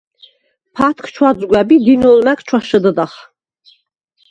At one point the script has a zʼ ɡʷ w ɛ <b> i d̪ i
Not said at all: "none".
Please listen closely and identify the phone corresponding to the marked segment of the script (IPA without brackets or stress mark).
b